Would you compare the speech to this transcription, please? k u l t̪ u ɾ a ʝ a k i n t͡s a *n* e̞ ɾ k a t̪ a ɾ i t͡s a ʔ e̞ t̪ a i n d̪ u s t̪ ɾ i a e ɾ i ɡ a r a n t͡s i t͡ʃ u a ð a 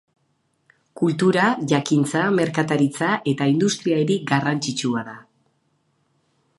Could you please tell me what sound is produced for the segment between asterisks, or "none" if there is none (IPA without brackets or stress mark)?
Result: m